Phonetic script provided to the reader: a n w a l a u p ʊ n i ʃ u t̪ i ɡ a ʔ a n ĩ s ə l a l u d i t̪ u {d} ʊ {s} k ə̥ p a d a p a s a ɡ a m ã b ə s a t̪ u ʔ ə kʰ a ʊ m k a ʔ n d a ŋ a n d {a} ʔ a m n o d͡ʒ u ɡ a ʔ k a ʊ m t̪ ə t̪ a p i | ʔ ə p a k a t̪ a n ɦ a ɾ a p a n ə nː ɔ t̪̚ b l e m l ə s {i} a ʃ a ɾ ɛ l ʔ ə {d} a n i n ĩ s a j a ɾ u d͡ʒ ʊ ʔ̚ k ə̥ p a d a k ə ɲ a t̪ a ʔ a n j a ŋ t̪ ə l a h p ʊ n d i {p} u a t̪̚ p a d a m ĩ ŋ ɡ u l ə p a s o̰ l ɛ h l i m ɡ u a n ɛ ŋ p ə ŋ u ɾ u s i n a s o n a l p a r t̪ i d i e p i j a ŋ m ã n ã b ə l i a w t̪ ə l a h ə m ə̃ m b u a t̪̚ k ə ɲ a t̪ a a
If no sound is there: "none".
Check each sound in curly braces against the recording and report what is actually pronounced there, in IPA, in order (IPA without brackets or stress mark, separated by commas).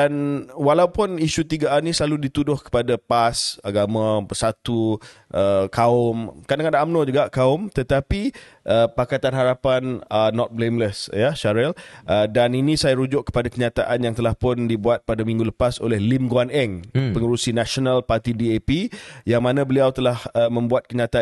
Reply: d, h, a, j, d, b